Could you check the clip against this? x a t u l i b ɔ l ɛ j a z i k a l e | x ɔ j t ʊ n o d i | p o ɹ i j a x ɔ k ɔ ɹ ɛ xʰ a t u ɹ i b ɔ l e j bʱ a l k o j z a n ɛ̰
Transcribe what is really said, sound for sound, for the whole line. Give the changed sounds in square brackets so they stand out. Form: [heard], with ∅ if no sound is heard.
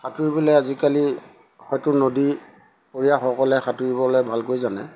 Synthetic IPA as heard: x a t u [ɹ] i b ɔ l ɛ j a z i k a l [i] | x ɔ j t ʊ n o d i | p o ɹ i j a x ɔ k ɔ [l] ɛ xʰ a t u ɹ i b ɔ l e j bʱ a l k o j z a n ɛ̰